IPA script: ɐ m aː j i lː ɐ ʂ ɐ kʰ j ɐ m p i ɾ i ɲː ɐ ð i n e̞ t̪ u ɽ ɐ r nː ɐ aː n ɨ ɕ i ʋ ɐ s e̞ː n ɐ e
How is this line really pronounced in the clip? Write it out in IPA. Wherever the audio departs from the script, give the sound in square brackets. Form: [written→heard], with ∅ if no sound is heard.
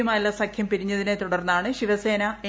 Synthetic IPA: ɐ m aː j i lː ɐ [ʂ→s] ɐ kʰ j ɐ m p i ɾ i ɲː ɐ ð i n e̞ t̪ u ɽ ɐ r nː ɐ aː [n→ɳ] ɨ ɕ i ʋ ɐ s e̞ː n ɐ e